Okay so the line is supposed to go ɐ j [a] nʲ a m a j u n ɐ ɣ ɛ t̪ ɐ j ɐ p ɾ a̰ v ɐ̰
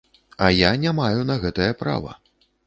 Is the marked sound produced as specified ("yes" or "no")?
yes